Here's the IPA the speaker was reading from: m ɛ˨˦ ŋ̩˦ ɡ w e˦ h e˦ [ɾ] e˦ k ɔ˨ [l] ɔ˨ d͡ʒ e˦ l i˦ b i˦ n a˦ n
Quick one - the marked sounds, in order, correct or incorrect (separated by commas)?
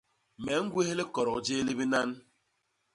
incorrect, incorrect